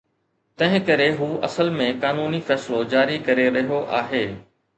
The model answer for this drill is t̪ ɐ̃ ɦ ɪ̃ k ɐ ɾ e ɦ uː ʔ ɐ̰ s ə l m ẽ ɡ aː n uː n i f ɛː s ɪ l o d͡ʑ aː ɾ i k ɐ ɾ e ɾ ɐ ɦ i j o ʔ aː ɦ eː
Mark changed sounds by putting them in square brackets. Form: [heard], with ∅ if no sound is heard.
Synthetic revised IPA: t̪ ɐ̃ ɦ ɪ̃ k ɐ ɾ e ɦ uː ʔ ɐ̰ s ə l m ẽ [k] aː n uː n i f ɛː s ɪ l o d͡ʑ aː ɾ i k ɐ ɾ e ɾ ɐ ɦ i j o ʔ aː ɦ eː